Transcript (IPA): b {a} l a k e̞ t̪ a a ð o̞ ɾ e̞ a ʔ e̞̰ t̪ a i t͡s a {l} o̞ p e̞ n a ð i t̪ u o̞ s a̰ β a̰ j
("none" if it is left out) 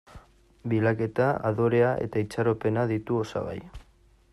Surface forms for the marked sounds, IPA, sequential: i, ɾ

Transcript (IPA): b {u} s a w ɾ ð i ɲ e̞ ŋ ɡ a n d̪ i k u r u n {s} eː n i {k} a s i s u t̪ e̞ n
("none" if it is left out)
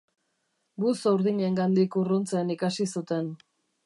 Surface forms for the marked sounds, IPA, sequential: u, t͡s, k

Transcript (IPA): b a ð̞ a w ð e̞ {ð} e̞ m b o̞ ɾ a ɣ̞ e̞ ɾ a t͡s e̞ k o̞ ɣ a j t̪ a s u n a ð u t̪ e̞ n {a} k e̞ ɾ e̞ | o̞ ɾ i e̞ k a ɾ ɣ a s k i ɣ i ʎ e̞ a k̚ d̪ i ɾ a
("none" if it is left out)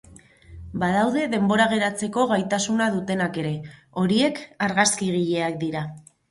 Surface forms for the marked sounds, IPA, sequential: ð, a

